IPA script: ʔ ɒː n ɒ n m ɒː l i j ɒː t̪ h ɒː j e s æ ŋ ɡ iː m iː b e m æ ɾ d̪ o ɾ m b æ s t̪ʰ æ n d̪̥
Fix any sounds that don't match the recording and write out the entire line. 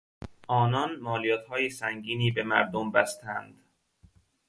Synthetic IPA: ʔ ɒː n ɒ n m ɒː l i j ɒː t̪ h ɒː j e s æ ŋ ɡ iː n iː b e m æ ɾ d̪ o m b æ s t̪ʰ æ n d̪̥